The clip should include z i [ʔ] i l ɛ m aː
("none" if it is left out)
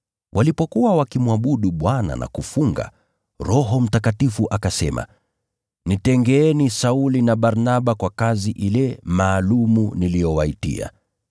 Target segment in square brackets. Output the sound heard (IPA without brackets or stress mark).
ʔ